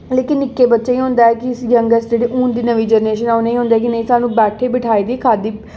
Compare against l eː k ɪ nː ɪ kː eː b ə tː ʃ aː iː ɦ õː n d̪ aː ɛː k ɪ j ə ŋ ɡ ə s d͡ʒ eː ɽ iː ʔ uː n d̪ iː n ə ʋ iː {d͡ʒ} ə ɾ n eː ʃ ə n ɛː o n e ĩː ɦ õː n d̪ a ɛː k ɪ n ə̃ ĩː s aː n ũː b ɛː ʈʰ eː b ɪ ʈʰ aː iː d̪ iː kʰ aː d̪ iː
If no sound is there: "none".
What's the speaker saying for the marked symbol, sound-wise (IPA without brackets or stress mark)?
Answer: d͡ʒ